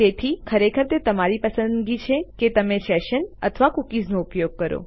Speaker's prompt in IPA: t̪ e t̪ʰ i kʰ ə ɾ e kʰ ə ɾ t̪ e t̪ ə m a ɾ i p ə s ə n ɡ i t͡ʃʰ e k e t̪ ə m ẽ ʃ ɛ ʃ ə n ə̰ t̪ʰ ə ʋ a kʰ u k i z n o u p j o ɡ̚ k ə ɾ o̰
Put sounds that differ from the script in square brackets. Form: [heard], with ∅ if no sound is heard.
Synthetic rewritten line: t̪ e t̪ʰ i kʰ ə ɾ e kʰ ə ɾ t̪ e t̪ ə m a ɾ i p ə s ə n ɡ i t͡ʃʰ e k e t̪ ə m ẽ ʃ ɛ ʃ ə n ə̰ t̪ʰ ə ʋ a [k] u k i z n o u p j o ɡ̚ k ə ɾ o̰